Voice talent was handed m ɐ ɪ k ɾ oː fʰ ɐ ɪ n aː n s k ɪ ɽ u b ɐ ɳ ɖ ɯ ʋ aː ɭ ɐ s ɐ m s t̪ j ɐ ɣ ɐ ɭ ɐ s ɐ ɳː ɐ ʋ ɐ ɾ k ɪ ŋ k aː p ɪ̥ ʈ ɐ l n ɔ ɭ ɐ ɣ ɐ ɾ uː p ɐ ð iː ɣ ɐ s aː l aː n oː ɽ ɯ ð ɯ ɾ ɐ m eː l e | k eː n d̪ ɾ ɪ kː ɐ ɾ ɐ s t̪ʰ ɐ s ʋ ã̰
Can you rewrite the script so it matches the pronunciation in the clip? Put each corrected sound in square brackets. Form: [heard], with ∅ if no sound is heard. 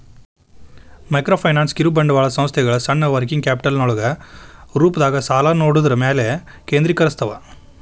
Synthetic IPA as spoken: m ɐ ɪ k ɾ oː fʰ ɐ ɪ n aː n s k ɪ [ɾ] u b ɐ ɳ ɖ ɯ ʋ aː ɭ ɐ s ɐ m s t̪ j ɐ ɣ ɐ ɭ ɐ s ɐ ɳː ɐ ʋ ɐ ɾ k ɪ ŋ k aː p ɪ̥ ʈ ɐ l n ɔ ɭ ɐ ɣ ɐ ɾ uː p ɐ ð [aː] ɣ ɐ s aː l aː n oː ɽ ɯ ð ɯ ɾ ɐ m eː l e | k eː n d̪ ɾ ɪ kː ɐ ɾ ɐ s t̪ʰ ɐ [∅] ʋ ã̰